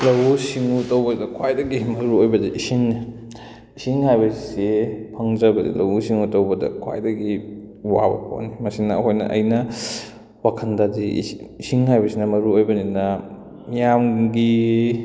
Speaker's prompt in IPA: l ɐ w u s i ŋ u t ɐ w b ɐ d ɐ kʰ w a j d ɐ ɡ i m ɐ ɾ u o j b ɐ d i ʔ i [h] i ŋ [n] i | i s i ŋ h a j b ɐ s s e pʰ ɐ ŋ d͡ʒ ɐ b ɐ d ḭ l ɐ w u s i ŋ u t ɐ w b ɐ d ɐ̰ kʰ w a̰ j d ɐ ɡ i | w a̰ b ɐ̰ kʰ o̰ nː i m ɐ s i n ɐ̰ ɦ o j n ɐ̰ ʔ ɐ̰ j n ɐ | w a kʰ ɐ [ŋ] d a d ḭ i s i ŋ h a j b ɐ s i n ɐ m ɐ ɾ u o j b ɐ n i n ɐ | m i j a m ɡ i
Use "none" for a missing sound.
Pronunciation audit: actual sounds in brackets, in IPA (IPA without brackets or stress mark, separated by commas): s, n, n